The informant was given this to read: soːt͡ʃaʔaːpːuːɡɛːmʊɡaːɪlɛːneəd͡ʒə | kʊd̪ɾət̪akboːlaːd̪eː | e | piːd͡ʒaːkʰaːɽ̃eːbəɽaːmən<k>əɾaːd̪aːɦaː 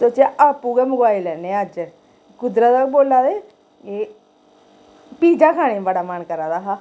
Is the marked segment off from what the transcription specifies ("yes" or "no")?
no